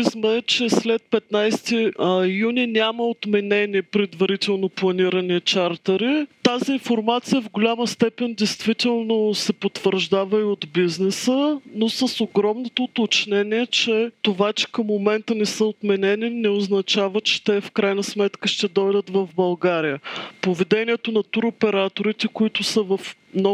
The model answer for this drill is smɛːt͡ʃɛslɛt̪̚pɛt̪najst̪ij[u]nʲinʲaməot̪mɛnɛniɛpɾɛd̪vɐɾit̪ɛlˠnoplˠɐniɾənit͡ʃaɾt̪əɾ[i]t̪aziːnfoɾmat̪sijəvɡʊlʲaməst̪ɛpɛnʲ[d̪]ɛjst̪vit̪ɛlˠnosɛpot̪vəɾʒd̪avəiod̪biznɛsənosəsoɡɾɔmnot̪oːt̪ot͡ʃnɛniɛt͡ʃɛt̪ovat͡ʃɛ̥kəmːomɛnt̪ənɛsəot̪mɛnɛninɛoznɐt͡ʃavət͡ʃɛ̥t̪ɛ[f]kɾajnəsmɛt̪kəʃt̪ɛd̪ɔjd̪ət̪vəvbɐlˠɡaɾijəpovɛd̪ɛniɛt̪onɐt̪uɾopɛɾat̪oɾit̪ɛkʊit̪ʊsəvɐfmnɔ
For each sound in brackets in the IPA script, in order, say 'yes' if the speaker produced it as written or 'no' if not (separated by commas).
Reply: yes, yes, yes, yes